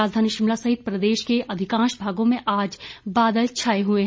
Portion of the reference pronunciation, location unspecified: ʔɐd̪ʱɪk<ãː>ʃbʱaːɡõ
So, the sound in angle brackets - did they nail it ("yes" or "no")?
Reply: yes